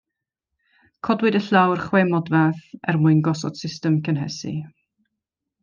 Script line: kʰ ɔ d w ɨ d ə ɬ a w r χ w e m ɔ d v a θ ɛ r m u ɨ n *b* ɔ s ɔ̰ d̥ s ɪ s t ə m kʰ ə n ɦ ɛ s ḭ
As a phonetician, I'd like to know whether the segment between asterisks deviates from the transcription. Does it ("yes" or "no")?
yes